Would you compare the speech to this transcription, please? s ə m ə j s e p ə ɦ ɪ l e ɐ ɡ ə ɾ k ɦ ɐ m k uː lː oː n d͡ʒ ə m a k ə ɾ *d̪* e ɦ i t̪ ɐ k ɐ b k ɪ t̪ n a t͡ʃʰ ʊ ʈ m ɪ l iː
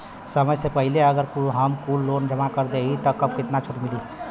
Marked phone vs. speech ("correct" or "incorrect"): correct